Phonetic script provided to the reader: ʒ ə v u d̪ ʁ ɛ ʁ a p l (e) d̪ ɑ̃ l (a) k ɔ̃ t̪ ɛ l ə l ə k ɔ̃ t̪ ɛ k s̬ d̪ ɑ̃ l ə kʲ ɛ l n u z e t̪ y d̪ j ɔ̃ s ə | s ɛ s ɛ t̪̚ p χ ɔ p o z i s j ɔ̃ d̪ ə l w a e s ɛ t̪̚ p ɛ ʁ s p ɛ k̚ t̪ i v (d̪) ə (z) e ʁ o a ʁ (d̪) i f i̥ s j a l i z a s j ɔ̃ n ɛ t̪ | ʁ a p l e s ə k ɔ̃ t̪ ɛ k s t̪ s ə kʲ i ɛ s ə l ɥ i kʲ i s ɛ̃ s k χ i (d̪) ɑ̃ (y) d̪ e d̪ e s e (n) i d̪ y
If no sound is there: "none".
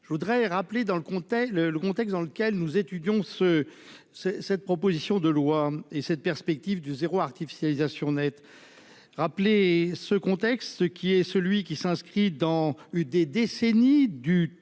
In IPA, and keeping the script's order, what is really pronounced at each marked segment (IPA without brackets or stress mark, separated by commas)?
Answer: e, ə, d̪, z, t̪, d̪, y, n